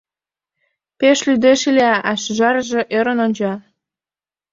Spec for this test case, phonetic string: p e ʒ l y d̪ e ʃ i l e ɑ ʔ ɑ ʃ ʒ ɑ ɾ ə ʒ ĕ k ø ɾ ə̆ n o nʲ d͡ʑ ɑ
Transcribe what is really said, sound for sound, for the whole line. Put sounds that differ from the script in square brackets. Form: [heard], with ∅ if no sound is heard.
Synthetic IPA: p e [ʃ] l y d̪ e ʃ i l e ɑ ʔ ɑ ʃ ʒ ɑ ɾ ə ʒ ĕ [ʔ] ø ɾ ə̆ n o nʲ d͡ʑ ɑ